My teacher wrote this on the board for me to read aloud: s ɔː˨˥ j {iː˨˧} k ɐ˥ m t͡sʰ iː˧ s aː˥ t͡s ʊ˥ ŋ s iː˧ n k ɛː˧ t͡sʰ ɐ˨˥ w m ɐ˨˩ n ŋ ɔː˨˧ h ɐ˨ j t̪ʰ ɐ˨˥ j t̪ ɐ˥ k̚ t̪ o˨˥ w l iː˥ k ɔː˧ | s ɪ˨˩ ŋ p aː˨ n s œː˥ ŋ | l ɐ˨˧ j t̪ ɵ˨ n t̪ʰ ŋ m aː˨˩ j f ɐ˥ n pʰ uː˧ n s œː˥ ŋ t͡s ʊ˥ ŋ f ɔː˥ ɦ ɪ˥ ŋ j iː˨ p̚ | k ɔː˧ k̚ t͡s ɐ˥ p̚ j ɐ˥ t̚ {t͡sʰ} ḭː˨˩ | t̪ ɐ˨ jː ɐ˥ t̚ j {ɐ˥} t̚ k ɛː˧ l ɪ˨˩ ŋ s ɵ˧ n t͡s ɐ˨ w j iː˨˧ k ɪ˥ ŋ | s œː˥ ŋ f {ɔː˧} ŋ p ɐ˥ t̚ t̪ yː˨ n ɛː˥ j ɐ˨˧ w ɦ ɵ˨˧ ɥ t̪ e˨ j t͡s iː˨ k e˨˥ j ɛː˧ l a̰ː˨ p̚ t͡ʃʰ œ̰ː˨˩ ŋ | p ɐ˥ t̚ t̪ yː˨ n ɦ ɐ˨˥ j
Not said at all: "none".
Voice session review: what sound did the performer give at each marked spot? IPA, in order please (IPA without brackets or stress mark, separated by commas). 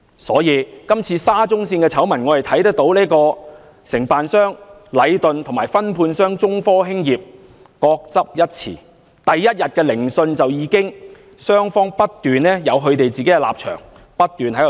iː˨˧, t͡sʰ, ɐ˨, ɔː˥